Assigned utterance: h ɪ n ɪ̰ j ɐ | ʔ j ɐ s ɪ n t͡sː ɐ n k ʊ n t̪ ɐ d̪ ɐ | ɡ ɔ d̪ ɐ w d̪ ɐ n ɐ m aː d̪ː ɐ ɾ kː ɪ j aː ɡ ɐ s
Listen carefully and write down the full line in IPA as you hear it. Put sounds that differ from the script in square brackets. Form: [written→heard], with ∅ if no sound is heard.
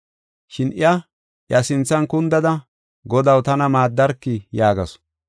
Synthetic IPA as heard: [h→ʃ] ɪ n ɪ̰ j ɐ | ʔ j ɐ s ɪ n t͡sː ɐ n k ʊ n [t̪→d̪] ɐ d̪ ɐ | ɡ ɔ d̪ ɐ w [d̪→t̪] ɐ n ɐ m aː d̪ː ɐ ɾ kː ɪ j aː ɡ ɐ s